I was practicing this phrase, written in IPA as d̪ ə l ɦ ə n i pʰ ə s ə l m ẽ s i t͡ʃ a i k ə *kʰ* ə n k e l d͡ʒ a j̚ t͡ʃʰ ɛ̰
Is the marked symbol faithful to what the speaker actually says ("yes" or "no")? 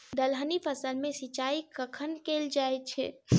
yes